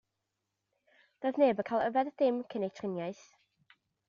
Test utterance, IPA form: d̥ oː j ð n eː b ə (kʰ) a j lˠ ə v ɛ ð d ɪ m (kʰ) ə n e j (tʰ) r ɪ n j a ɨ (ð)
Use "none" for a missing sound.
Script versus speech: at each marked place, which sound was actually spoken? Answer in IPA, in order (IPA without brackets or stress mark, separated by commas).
kʰ, kʰ, tʰ, θ